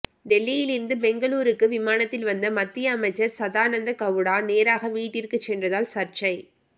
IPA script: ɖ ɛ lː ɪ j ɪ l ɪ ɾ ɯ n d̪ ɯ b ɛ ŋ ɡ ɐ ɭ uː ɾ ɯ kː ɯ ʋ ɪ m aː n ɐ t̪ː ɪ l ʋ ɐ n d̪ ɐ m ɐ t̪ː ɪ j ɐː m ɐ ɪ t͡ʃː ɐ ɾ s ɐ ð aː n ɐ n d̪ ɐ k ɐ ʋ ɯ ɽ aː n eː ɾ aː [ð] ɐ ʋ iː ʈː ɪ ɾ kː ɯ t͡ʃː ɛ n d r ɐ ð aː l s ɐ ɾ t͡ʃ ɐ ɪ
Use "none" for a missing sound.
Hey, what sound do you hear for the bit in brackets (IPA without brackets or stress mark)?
ɣ